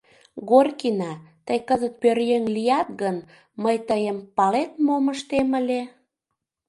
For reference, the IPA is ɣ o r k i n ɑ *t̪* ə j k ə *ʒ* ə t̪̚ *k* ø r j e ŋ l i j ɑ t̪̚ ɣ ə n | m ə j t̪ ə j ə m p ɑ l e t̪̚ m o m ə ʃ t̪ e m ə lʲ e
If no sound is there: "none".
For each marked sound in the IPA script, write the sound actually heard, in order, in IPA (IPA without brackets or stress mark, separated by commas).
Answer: t̪, z, p